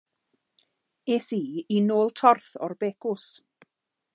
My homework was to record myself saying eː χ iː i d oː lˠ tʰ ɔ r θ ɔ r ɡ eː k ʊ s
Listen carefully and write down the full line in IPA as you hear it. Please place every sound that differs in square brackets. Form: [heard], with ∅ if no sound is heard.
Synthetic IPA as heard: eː [s] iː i [n] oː lˠ tʰ ɔ r θ ɔ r [b] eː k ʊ s